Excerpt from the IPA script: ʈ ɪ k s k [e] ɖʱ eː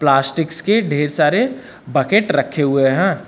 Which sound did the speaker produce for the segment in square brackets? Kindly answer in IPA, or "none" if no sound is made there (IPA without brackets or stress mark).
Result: e